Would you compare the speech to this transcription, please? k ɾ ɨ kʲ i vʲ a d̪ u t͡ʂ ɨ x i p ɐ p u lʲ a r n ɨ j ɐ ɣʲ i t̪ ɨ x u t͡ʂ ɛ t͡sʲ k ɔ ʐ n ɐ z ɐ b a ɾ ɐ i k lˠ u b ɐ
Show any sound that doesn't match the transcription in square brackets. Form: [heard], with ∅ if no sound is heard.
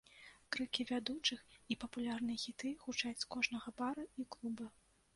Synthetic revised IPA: k ɾ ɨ kʲ i vʲ a d̪ u t͡ʂ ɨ x i p ɐ p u lʲ a r n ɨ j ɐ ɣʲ i t̪ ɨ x u t͡ʂ [a] t͡sʲ k ɔ ʐ n ɐ [ɣ] ɐ b a ɾ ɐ i k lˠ u b ɐ

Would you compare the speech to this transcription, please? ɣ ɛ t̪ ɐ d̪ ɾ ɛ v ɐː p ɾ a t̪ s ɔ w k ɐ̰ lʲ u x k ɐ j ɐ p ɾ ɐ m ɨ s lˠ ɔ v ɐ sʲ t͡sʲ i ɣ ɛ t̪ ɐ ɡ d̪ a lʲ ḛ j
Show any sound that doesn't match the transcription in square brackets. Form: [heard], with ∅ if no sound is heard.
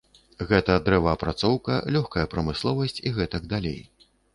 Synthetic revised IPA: ɣ ɛ t̪ ɐ d̪ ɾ ɛ v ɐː p ɾ a t̪ s ɔ w k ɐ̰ lʲ [ɔ] x k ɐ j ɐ p ɾ ɐ m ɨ s lˠ ɔ v ɐ sʲ t͡sʲ i ɣ ɛ t̪ ɐ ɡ d̪ a lʲ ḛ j

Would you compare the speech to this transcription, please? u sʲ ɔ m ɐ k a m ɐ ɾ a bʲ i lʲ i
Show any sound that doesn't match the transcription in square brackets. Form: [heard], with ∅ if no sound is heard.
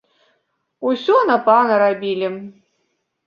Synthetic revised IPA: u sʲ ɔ [n] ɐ [p] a [n] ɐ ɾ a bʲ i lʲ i

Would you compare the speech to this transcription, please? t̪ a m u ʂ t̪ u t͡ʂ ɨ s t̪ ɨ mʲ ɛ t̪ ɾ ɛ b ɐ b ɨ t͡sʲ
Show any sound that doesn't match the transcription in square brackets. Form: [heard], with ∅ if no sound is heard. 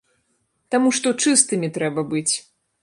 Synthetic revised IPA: t̪ a m u ʂ t̪ [ɔ] t͡ʂ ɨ s t̪ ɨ mʲ [i] t̪ ɾ ɛ b ɐ b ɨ t͡sʲ

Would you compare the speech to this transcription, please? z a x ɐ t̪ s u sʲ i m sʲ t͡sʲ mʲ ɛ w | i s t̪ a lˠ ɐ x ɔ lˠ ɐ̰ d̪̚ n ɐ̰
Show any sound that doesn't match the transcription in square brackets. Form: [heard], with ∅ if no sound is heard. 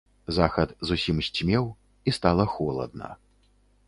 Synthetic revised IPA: z a x ɐ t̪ [z] u sʲ i m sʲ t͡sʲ mʲ ɛ w | i s t̪ a lˠ ɐ x ɔ lˠ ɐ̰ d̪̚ n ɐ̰

